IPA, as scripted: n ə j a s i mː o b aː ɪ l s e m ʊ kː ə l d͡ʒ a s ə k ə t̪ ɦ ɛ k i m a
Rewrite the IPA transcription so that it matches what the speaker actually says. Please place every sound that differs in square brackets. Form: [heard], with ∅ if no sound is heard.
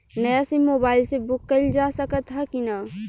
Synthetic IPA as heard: n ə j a s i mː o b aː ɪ l s e [b] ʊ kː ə l d͡ʒ a s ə k ə t̪ ɦ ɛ k i [n] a